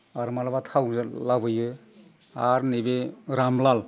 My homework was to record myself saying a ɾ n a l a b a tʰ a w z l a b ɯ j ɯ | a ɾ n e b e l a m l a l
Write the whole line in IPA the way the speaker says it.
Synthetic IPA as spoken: a ɾ m a l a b a tʰ a w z l a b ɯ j ɯ | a ɾ n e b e ɾ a m l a l